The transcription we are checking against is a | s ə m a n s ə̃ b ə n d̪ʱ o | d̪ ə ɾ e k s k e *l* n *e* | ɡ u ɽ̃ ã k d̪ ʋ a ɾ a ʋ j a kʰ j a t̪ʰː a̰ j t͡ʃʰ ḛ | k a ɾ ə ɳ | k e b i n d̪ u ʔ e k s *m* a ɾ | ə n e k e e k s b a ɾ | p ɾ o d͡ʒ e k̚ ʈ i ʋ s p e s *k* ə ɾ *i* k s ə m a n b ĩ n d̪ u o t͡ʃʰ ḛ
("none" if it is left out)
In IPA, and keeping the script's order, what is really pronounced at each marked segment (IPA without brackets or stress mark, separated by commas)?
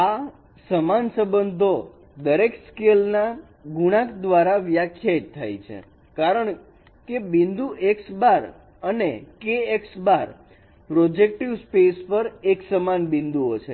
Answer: l, a, b, p, e